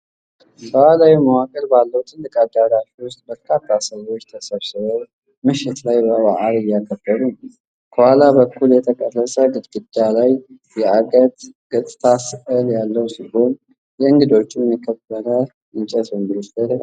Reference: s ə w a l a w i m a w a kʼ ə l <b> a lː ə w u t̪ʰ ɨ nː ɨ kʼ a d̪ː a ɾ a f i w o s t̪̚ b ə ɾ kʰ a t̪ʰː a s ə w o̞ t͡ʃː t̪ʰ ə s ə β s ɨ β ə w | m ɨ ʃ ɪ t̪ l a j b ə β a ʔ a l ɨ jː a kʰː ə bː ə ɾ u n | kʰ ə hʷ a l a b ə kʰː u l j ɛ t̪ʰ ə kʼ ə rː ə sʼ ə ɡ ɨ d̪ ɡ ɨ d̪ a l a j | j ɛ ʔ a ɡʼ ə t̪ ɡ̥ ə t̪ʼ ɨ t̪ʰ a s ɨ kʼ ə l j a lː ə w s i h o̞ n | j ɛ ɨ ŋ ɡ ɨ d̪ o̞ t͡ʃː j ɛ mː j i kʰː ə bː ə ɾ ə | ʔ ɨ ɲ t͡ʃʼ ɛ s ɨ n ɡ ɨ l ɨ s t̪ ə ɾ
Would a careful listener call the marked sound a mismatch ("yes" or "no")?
no